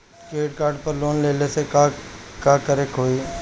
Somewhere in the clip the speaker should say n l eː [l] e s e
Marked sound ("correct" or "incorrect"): correct